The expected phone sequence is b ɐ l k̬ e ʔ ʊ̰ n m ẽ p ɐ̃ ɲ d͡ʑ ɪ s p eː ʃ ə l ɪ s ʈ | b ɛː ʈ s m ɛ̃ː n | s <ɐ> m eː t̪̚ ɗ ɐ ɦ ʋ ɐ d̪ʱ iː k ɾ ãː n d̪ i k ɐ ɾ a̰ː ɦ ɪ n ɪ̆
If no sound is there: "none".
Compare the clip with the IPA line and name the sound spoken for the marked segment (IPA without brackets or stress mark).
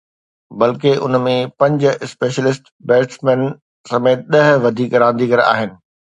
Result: ɐ